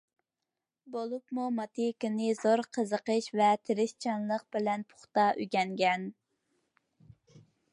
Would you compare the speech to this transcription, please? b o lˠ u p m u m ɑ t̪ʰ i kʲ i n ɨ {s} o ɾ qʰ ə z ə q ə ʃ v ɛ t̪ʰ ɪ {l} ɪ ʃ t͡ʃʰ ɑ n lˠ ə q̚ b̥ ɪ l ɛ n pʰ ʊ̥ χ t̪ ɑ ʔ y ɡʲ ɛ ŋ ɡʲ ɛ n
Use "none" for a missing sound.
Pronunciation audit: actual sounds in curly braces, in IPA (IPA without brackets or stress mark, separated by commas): z, ɾ